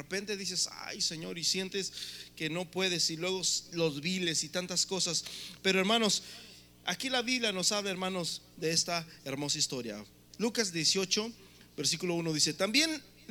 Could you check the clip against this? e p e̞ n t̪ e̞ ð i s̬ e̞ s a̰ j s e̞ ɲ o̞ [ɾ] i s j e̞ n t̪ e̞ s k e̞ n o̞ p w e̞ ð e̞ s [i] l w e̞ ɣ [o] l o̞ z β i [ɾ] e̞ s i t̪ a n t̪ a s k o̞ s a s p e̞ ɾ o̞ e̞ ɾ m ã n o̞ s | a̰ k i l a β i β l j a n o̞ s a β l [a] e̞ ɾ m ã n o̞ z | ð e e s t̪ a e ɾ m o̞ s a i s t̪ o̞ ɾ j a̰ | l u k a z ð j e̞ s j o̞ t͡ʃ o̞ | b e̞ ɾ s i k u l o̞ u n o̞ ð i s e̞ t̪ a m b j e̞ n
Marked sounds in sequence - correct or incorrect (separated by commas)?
correct, correct, correct, incorrect, correct